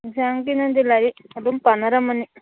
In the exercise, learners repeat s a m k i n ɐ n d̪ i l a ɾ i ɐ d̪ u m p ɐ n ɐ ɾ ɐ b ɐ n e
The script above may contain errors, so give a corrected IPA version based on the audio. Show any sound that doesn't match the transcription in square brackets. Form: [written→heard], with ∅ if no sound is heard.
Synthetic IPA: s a [m→ŋ] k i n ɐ n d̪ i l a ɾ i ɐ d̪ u m p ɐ n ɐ ɾ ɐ [b→m] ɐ n [e→i]